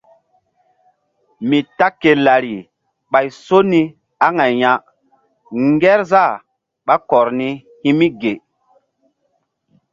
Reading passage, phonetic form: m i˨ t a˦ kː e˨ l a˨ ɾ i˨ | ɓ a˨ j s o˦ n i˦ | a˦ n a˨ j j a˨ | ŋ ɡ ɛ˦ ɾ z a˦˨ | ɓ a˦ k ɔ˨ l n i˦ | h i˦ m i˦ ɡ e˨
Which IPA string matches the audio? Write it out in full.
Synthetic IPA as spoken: m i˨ t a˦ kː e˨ l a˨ ɾ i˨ | ɓ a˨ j s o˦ n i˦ | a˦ ŋ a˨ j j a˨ | ŋ ɡ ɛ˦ ɾ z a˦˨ | ɓ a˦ k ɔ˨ ɾ n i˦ | h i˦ m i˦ ɡ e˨